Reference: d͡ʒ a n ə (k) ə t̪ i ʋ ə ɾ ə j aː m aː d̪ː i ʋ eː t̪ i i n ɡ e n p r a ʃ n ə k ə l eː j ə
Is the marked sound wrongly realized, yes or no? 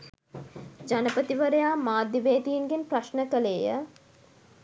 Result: yes